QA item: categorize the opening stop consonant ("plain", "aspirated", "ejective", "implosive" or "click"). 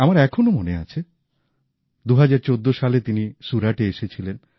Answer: aspirated